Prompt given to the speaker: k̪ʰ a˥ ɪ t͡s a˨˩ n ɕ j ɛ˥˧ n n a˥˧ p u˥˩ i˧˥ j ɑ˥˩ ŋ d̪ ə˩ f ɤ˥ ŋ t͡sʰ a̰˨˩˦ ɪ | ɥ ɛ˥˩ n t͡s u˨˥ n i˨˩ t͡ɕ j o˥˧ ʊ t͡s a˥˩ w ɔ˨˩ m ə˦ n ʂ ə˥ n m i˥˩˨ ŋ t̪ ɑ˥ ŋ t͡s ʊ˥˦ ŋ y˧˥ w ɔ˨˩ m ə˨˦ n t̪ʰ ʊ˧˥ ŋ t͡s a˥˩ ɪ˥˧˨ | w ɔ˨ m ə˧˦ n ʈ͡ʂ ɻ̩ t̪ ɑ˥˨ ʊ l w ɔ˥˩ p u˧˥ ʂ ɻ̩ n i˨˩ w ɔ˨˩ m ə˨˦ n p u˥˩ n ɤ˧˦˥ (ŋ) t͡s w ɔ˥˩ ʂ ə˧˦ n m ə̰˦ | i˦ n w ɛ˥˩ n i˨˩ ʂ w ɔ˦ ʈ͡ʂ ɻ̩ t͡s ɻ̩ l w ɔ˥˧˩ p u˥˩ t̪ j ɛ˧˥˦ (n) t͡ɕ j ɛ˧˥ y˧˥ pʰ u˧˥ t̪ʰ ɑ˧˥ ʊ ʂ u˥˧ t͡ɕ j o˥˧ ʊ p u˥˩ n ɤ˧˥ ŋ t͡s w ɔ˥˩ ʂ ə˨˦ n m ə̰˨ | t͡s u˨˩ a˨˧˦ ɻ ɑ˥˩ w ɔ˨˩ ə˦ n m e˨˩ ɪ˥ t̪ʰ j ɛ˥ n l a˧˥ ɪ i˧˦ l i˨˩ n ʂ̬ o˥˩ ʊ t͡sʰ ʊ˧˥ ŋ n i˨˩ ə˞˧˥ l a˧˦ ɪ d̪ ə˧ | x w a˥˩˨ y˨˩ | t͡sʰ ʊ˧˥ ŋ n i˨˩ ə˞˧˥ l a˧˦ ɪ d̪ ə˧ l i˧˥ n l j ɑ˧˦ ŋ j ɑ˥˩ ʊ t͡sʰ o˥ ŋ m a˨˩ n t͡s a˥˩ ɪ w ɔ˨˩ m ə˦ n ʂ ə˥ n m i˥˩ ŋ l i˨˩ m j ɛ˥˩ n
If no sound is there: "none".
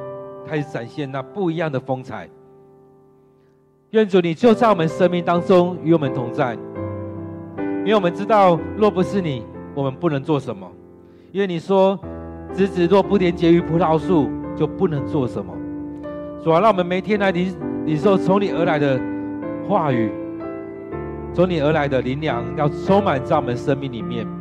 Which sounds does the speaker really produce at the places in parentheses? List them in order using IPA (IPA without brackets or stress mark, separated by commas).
ŋ, n